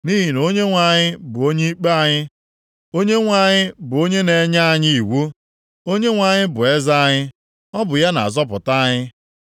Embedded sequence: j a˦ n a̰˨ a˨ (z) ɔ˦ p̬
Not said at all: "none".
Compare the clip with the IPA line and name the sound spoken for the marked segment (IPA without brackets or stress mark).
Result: z